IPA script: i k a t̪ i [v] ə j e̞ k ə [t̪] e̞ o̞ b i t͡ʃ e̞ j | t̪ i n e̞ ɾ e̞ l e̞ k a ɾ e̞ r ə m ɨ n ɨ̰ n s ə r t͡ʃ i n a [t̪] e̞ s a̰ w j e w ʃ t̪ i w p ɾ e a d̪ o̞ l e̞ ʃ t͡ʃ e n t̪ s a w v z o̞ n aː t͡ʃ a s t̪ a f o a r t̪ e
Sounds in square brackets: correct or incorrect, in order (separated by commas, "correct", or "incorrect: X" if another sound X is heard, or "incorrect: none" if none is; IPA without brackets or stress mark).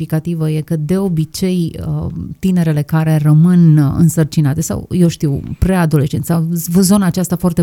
correct, incorrect: d̪, correct